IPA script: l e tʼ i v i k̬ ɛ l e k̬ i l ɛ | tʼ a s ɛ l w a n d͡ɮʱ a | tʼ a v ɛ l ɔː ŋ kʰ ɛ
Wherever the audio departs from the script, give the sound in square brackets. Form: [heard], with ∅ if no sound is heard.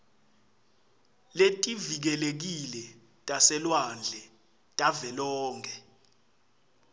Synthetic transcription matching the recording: l e tʼ i v i k̬ ɛ l e k̬ i l ɛ | tʼ a s ɛ l w a n d͡ɮʱ [ɛ] | tʼ a v ɛ l ɔː ŋ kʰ ɛ